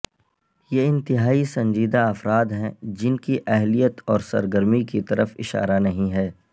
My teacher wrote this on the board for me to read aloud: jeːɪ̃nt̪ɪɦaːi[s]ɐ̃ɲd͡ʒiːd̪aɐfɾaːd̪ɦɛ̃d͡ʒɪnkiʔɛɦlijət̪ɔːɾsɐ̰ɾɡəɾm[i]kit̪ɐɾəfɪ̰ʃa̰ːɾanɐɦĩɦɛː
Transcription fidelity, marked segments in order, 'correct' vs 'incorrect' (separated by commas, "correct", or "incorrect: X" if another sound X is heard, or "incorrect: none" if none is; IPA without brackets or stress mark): correct, correct